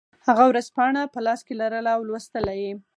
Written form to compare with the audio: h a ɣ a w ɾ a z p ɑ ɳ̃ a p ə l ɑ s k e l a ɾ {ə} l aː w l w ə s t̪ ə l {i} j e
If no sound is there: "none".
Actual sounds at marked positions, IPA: ə, a

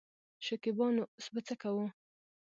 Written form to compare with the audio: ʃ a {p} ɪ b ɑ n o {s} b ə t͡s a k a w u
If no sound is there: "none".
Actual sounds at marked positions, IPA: k, s

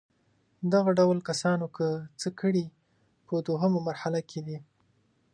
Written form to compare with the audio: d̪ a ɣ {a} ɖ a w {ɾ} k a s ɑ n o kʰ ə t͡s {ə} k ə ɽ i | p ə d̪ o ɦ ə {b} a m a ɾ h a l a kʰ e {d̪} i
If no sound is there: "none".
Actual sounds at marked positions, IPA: a, l, ə, m, d̪

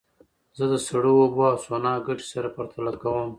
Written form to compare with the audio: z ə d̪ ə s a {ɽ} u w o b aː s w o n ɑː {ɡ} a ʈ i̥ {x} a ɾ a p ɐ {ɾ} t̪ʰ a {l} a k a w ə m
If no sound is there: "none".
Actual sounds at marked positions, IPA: ɽ, ɡ, s, ɾ, l

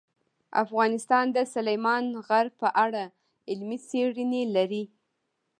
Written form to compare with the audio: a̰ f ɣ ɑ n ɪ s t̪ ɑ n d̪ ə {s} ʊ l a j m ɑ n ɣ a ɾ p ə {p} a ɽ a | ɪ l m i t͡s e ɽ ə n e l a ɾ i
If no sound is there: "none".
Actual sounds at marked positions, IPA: s, ʔ

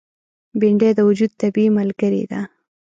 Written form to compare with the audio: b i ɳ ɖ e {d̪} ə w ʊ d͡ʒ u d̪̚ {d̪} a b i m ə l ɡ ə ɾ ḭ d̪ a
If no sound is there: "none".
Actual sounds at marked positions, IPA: d̪, t̪

